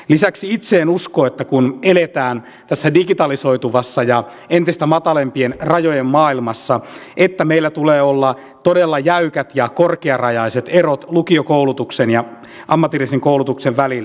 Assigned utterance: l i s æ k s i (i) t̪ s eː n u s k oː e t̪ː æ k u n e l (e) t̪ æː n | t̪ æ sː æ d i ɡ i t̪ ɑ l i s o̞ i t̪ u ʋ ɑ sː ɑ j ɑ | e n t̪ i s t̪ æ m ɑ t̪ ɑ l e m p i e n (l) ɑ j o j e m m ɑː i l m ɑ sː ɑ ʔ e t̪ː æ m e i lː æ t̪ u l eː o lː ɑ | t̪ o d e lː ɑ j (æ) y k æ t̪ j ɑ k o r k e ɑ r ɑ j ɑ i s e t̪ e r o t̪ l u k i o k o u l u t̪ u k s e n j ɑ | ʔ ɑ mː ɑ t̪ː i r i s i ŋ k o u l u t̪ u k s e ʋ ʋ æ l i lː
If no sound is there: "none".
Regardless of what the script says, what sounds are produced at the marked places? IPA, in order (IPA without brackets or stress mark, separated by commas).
i, e, r, æ